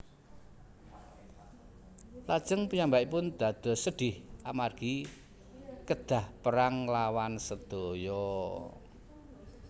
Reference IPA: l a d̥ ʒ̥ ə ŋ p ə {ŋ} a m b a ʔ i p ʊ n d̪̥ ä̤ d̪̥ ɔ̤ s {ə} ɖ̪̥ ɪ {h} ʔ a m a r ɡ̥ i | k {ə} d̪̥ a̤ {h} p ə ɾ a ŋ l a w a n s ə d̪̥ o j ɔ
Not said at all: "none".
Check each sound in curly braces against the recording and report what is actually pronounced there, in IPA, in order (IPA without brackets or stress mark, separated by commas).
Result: ɲ, ə, h, ə, h